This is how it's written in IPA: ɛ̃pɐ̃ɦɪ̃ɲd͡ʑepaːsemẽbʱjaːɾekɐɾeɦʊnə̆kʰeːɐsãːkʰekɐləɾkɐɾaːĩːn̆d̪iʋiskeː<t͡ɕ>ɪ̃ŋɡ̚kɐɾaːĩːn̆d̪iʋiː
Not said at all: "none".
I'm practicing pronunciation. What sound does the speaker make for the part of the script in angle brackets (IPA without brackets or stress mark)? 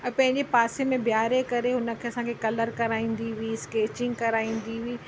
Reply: t͡ɕ